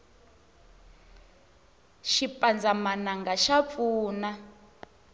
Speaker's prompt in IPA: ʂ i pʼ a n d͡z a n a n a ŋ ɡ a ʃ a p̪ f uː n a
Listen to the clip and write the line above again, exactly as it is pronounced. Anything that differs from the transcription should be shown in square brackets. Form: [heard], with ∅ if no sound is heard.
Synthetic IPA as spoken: [ʃ] i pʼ a n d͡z a [m] a n a ŋ ɡ a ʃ a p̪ f uː n a